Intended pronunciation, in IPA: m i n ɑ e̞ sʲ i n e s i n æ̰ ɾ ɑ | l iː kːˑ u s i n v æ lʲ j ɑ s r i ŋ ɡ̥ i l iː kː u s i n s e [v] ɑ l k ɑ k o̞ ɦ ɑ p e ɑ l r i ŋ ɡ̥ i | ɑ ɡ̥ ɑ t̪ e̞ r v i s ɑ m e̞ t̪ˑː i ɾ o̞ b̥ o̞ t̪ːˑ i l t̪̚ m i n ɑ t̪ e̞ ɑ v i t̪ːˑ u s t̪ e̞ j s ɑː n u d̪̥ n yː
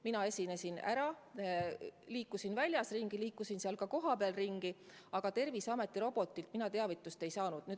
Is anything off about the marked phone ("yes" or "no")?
yes